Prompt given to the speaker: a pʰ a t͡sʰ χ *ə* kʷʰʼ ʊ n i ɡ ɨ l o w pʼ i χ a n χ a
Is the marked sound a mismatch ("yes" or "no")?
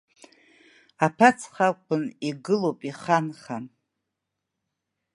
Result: yes